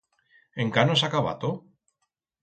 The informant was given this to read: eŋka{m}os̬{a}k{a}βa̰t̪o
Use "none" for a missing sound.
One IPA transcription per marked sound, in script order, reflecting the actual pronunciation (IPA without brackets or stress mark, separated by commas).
n, a, a